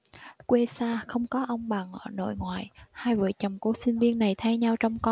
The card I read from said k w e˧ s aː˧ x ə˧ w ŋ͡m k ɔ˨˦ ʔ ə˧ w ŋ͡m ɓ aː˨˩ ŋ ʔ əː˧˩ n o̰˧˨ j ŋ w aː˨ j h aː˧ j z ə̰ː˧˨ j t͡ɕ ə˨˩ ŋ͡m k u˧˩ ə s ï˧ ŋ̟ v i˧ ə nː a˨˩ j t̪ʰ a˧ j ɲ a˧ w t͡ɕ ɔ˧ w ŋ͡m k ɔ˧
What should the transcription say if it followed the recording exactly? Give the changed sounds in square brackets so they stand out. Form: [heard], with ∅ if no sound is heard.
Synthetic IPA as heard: k w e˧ s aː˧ x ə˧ w ŋ͡m k ɔ˨˦ ʔ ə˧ w ŋ͡m ɓ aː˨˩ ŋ ʔ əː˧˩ n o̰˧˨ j ŋ w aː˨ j h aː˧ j [v] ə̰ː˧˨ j t͡ɕ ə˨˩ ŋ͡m k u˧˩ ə s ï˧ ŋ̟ v i˧ ə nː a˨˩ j t̪ʰ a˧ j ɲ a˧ w t͡ɕ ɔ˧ w ŋ͡m k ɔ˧